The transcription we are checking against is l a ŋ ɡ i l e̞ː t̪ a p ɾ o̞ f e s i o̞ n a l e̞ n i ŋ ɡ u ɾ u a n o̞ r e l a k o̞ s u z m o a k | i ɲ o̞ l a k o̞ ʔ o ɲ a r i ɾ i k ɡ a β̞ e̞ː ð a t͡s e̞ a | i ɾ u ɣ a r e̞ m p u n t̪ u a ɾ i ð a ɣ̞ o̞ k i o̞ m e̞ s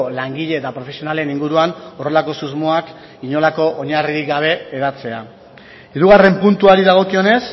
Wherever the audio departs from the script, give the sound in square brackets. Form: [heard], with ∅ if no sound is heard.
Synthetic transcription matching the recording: l a ŋ ɡ i [ʎ] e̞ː t̪ a p ɾ o̞ f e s i o̞ n a l e̞ n i ŋ ɡ u ɾ u a n o̞ r e l a k o̞ s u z m o a k | i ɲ o̞ l a k o̞ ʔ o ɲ a r i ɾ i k ɡ a β̞ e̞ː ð a t͡s e̞ a | i ɾ u ɣ a r e̞ m p u n t̪ u a ɾ i ð a ɣ̞ o̞ k i o̞ [n] e̞ s